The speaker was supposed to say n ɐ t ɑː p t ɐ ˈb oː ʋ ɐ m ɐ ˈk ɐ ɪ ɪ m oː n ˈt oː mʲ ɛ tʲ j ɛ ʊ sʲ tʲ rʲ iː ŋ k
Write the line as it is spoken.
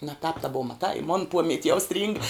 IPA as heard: n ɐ t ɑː p t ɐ ˈb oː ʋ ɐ m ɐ ˈt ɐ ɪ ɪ m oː n ˈp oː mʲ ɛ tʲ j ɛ ʊ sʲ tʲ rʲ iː ŋ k